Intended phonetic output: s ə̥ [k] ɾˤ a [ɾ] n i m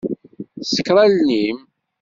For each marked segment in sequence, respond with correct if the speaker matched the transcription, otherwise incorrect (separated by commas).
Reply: correct, incorrect